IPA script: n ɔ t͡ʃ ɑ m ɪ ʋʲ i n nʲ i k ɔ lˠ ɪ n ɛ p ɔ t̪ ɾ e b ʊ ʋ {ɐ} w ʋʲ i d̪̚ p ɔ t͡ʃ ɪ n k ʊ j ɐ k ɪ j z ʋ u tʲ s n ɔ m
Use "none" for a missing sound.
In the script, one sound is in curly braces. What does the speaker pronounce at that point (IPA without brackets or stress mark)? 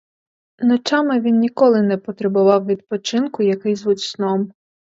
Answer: ɑ